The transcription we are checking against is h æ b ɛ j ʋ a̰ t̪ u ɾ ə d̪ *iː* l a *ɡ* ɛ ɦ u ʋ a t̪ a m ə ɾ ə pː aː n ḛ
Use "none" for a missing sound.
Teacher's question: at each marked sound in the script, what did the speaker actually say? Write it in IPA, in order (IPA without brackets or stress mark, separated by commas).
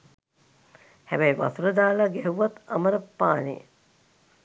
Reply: aː, ɡ